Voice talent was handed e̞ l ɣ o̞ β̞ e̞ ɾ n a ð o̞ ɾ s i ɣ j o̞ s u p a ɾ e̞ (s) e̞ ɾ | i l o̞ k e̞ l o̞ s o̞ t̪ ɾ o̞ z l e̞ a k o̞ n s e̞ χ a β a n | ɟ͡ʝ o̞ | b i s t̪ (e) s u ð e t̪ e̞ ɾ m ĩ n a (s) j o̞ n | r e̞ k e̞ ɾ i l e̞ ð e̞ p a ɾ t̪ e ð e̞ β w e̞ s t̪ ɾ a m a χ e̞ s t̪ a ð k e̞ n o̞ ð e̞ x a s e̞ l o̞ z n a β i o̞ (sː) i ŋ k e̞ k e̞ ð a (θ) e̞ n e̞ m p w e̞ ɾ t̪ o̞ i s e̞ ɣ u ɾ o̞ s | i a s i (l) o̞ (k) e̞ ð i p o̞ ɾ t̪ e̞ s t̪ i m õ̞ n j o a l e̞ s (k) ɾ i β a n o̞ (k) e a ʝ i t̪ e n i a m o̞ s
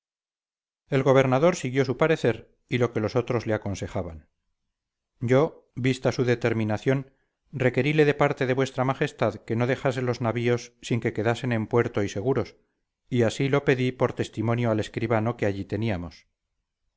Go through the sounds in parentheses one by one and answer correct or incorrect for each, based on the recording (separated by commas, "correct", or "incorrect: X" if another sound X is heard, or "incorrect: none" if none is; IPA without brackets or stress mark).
incorrect: θ, incorrect: a, incorrect: θ, correct, incorrect: s, correct, incorrect: p, correct, correct